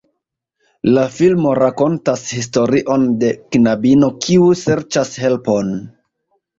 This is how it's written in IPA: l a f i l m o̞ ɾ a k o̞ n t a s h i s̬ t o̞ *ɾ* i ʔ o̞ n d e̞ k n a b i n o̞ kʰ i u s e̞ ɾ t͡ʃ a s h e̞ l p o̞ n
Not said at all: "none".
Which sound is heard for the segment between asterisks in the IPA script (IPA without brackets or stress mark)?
ɾ